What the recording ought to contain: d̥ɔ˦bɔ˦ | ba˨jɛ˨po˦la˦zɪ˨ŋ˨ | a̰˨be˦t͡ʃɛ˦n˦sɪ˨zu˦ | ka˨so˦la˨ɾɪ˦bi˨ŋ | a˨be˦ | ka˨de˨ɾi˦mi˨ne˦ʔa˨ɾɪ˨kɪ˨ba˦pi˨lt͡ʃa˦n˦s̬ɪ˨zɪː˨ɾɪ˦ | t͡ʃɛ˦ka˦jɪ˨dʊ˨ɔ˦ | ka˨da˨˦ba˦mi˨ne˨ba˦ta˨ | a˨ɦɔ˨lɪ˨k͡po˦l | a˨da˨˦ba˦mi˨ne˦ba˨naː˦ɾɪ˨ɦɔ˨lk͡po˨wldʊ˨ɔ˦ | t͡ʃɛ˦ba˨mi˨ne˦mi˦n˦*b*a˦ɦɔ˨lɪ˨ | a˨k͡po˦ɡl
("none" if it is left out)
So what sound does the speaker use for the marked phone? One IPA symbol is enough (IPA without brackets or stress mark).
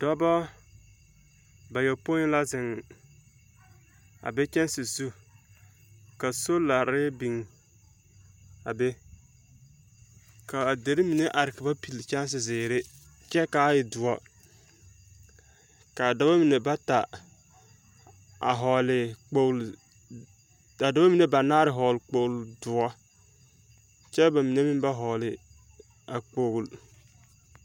b